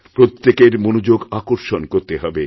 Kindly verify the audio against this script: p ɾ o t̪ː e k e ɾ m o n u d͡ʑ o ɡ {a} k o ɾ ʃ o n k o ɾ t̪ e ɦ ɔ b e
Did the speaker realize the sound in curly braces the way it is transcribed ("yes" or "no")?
yes